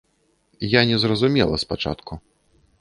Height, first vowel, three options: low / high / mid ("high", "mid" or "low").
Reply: low